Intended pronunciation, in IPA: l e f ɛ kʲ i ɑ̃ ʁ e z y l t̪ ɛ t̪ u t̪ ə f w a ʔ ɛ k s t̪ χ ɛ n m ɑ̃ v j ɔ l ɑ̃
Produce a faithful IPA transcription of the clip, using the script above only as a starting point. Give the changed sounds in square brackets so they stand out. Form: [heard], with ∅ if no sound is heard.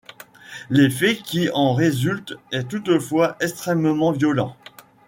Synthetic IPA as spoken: l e f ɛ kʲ i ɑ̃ ʁ e z y l t̪ ɛ t̪ u t̪ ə f w a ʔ ɛ k s t̪ χ ɛ [m] m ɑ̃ v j ɔ l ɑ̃